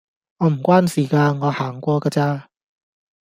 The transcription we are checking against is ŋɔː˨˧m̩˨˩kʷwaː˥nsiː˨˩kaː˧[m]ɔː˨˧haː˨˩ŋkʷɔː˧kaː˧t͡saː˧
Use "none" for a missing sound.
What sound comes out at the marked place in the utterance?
ŋ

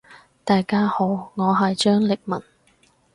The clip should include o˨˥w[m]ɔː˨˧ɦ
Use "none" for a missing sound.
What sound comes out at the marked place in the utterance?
ŋ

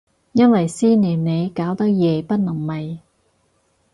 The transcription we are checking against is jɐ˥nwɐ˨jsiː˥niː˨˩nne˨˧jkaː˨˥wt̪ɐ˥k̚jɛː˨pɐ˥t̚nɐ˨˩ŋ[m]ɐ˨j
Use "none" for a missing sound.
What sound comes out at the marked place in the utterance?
m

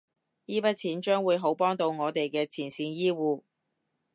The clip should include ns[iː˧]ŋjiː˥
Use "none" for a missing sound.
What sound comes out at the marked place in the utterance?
iː˧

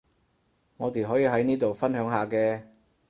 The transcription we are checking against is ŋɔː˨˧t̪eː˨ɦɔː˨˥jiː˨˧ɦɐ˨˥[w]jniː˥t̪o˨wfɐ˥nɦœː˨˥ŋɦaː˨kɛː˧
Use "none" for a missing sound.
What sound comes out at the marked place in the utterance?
none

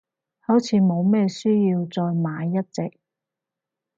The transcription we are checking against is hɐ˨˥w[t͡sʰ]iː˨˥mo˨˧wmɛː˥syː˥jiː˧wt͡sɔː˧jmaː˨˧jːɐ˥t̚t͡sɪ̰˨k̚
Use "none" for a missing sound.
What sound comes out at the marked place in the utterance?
t͡sʰ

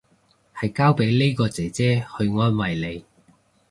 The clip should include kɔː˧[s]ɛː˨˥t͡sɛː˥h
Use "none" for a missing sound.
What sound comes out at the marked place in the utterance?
t͡s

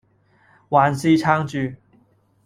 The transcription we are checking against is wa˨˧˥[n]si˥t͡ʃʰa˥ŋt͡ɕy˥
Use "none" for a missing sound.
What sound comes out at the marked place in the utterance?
n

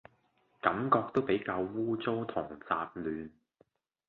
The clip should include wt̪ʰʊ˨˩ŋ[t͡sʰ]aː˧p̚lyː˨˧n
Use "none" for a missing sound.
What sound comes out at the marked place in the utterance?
t͡s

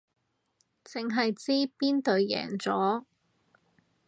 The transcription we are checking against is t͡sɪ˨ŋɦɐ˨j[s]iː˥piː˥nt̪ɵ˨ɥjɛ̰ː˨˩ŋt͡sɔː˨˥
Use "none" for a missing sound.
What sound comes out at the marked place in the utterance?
t͡s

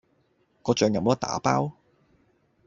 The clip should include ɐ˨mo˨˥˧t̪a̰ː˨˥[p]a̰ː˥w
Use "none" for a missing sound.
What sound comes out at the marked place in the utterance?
p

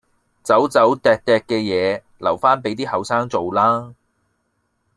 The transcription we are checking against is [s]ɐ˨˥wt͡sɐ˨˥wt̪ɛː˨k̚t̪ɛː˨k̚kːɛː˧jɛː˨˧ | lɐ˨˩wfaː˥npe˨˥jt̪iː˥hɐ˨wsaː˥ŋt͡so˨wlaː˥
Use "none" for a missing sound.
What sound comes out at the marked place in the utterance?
t͡s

